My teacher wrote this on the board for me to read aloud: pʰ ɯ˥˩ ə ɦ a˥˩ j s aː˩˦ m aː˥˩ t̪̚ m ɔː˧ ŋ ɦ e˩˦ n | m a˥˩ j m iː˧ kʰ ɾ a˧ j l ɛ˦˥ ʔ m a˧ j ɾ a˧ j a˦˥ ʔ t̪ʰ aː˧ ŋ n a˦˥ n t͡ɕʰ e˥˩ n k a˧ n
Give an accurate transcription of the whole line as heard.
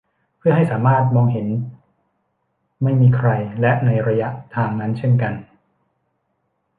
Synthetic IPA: pʰ ɯ˥˩ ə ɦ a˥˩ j s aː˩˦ m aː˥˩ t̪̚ m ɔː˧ ŋ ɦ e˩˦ n | m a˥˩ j m iː˧ kʰ ɾ a˧ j l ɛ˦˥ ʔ n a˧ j ɾ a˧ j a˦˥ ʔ t̪ʰ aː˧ ŋ n a˦˥ n t͡ɕʰ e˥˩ n k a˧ n